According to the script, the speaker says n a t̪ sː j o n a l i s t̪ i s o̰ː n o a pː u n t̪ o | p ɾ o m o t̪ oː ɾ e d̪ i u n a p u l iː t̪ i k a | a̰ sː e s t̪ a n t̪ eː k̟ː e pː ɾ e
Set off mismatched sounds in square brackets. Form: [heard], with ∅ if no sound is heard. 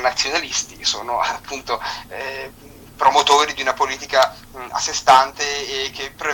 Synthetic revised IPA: n a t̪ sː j o n a l i s t̪ i s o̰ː n o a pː u n t̪ o | p ɾ o m o t̪ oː ɾ [i] d̪ i u n a p [o] l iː t̪ i k a | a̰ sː e s t̪ a n t̪ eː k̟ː e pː ɾ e